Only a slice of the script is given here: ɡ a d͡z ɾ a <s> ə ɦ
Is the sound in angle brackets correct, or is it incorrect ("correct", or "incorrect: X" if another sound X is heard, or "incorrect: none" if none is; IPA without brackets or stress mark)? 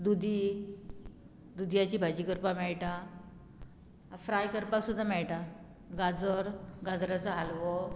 incorrect: t͡s